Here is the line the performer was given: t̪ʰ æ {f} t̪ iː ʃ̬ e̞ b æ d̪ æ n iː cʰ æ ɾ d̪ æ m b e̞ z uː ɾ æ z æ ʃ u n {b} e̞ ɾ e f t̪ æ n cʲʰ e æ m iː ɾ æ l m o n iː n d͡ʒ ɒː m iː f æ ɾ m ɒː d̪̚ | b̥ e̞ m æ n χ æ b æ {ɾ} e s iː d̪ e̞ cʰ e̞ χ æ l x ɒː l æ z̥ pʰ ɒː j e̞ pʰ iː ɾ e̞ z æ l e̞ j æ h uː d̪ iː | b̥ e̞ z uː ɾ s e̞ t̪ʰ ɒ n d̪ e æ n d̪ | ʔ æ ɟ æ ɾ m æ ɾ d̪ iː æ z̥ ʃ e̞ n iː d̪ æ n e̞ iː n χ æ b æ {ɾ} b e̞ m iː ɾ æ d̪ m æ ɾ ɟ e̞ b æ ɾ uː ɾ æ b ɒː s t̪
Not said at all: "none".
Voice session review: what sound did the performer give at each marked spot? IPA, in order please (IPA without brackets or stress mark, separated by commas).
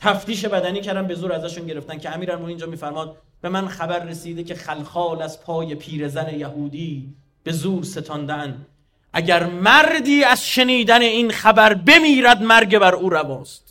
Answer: f, ɟ, ɾː, ɾ